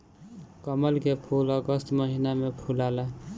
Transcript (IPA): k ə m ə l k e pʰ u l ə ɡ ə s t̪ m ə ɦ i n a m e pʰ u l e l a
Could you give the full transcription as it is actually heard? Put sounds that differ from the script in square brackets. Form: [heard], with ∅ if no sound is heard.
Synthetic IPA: k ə m ə l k e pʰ u l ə ɡ ə s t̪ m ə ɦ i n a m e pʰ u l [a] l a